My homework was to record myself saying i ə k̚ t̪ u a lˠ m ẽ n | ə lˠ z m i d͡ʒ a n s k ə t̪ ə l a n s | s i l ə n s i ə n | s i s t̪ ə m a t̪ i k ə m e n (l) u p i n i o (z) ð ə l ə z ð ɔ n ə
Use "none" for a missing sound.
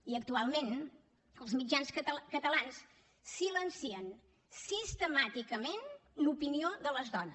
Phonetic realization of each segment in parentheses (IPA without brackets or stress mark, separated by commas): l, none